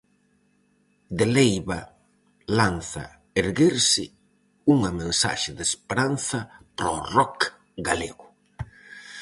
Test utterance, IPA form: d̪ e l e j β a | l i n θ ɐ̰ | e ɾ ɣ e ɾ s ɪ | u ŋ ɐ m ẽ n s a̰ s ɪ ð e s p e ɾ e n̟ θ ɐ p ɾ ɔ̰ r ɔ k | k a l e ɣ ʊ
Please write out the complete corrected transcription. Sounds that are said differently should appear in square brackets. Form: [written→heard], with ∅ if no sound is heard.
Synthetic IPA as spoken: d̪ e l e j β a | l [i→a] n θ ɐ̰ | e ɾ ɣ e ɾ s ɪ | u ŋ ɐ m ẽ n s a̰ [s→ʃ] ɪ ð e s p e ɾ [e→a] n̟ θ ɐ p ɾ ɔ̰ r ɔ k | [k→ɡ] a l e ɣ ʊ